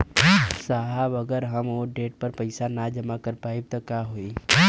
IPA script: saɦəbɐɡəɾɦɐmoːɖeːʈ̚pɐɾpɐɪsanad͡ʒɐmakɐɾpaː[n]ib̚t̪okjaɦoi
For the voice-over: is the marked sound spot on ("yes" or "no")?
no